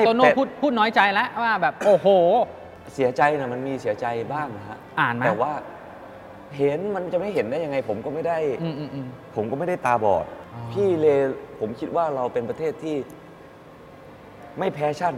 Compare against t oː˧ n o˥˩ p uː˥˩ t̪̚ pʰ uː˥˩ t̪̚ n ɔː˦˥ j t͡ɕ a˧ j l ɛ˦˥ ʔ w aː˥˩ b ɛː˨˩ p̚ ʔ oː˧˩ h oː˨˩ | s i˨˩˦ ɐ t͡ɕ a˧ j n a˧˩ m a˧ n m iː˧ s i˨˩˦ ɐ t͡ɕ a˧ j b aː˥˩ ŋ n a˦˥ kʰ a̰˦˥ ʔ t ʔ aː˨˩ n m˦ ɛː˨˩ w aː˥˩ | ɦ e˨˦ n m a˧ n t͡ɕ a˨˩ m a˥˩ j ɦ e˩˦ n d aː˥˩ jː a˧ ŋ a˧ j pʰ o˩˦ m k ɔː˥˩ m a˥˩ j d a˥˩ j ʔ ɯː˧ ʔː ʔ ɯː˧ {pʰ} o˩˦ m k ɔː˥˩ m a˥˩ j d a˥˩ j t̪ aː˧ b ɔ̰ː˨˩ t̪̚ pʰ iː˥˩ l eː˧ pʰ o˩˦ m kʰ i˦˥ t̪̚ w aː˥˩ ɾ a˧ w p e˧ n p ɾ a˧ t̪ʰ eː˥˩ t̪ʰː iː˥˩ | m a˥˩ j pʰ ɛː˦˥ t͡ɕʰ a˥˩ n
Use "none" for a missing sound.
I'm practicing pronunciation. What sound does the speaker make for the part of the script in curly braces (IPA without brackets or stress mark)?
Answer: pʰ